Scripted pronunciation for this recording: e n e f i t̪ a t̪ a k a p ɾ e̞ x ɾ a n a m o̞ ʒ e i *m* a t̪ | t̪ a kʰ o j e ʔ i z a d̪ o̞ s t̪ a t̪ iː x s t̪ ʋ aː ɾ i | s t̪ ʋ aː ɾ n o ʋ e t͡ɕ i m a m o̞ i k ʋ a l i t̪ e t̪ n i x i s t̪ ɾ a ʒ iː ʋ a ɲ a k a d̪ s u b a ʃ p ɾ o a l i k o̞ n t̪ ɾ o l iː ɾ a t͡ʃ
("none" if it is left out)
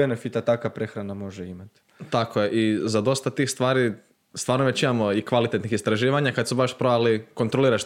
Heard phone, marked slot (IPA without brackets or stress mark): m